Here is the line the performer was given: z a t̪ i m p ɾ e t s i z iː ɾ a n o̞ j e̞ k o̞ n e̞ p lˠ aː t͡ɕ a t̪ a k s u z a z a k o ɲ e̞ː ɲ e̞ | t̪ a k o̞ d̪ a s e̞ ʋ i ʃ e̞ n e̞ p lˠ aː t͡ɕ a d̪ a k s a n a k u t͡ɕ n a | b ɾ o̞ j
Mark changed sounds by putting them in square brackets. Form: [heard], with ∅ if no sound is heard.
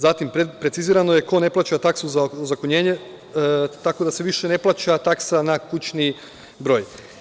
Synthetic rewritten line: z a t̪ i m p ɾ e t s i z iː ɾ a n o̞ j e̞ k o̞ n e̞ p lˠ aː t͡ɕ a t̪ a k s u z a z a k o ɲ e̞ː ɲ e̞ | t̪ a k o̞ d̪ a s e̞ ʋ i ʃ e̞ n e̞ p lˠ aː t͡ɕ a [t̪] a k s a n a k u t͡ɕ n [i] | b ɾ o̞ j